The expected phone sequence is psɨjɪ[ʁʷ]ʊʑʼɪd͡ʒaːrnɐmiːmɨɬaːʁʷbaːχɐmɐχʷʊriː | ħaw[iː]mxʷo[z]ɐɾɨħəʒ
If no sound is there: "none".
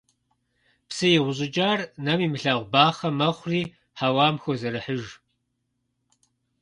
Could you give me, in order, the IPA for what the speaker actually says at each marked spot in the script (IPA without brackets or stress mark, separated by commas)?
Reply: ʁʷ, aː, z